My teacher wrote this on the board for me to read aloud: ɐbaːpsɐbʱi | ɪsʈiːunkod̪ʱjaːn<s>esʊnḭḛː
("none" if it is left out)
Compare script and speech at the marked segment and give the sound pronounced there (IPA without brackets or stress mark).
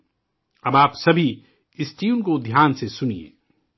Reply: s